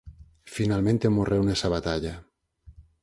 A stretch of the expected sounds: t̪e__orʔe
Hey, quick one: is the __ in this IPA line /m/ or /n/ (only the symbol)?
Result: m